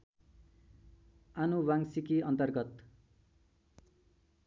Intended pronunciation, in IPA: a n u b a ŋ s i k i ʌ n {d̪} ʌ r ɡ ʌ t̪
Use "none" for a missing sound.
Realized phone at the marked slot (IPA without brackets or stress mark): t̪